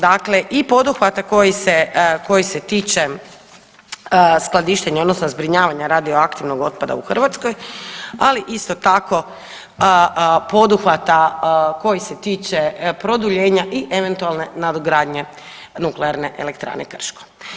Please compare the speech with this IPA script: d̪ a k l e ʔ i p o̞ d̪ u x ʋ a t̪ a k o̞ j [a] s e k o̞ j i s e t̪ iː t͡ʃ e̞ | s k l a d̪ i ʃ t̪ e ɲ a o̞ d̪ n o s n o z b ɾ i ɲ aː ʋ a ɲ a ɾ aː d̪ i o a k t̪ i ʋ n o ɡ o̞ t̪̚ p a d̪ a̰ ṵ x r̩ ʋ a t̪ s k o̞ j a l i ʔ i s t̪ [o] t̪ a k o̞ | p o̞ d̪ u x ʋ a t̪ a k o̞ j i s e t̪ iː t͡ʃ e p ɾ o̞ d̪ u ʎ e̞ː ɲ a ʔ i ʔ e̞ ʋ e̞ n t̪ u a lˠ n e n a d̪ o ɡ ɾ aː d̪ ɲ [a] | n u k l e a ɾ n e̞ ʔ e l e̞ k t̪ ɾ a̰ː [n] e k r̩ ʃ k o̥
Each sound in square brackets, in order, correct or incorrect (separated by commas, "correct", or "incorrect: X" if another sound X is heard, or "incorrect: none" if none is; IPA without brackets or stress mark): incorrect: i, correct, incorrect: e, correct